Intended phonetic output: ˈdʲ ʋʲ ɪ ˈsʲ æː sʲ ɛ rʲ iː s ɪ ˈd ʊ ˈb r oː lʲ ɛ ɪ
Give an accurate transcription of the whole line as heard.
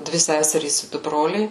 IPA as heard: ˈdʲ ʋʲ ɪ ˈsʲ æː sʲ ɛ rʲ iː s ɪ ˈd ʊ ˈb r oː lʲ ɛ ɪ